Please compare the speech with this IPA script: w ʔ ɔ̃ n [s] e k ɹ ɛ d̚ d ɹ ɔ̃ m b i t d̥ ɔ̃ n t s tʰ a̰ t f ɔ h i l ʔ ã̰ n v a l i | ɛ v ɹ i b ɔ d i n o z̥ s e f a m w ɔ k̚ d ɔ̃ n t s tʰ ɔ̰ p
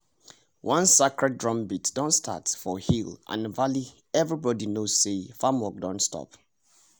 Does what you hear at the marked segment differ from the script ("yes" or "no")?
no